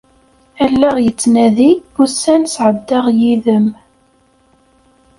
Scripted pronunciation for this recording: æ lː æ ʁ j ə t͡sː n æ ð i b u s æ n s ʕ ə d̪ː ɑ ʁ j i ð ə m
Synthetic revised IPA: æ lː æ ʁ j ə t͡sː n æ ð i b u s æ n s ʕ ə d̪ː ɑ ʁ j i ð ə m

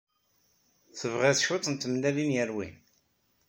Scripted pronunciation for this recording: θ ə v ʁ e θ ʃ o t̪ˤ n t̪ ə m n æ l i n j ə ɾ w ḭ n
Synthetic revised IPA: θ ə v ʁ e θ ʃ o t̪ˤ n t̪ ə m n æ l i n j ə ɾ w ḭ n

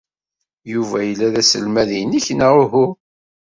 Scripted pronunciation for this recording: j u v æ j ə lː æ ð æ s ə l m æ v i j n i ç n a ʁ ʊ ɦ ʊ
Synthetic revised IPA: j u v æ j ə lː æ ð æ s ə l m æ ð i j n i ç n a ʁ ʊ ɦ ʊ

